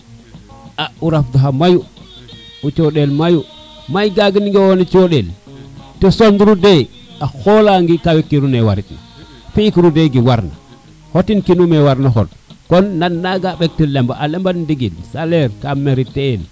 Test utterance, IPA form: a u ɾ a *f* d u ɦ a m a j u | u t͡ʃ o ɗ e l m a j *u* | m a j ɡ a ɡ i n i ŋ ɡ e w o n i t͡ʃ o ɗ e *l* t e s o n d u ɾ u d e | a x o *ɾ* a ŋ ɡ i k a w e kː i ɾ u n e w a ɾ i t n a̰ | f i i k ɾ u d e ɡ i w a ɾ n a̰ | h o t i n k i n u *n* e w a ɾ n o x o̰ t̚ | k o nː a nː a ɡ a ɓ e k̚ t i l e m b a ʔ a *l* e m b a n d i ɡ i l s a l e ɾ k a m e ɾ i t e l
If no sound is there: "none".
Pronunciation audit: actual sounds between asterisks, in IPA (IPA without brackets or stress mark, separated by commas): f, u, l, l, m, l